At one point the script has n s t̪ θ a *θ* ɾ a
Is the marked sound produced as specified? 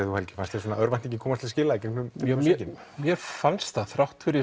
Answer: yes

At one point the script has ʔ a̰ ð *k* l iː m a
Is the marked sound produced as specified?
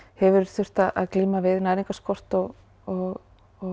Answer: yes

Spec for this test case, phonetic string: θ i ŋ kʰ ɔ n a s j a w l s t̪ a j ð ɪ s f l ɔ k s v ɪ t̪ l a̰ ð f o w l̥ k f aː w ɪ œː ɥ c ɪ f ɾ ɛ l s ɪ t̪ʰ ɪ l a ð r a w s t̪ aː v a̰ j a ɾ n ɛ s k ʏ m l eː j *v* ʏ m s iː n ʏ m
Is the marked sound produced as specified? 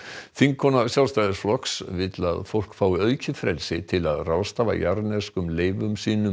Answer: yes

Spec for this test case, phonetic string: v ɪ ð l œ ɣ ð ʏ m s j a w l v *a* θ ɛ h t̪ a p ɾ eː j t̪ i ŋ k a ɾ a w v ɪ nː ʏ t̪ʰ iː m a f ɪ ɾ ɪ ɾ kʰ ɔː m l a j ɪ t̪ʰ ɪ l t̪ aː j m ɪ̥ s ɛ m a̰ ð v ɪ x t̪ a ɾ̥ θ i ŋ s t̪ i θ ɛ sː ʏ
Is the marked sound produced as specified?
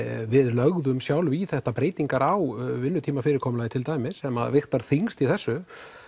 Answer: no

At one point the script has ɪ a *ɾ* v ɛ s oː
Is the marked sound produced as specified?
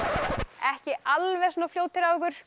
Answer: no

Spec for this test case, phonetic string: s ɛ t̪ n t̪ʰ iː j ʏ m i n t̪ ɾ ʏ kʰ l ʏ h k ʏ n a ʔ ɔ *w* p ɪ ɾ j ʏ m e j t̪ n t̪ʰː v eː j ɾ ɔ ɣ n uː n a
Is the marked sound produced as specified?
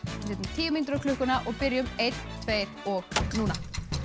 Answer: no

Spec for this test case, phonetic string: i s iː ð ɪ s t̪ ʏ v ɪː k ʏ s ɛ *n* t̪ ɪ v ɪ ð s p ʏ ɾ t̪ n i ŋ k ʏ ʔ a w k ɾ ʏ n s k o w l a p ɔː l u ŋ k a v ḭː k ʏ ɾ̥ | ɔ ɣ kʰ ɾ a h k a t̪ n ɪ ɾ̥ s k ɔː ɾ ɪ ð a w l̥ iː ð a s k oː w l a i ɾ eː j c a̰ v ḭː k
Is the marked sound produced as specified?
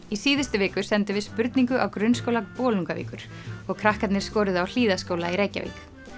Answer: yes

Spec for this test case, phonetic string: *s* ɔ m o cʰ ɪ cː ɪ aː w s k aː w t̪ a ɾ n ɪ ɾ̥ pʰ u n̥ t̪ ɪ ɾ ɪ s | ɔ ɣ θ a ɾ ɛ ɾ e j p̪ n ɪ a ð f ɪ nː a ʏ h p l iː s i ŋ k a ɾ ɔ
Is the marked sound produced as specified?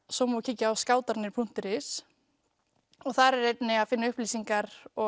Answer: yes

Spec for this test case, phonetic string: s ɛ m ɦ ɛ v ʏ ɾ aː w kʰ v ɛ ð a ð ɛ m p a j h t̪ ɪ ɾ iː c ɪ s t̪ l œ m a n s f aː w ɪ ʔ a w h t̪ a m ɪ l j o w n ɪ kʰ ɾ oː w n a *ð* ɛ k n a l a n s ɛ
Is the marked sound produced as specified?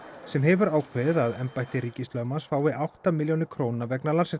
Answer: no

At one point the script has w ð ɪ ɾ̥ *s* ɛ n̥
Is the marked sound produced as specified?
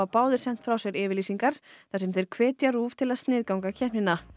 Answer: yes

